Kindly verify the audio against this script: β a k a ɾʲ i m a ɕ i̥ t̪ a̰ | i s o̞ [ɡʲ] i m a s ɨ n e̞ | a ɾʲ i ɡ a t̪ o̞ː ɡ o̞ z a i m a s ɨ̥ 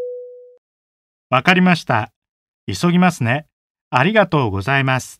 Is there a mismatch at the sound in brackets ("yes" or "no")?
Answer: no